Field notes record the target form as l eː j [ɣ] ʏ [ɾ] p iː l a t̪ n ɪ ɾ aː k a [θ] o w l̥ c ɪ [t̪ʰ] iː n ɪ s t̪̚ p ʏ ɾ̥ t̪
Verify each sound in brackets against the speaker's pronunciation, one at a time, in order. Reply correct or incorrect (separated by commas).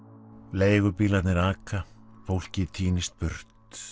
correct, correct, incorrect, correct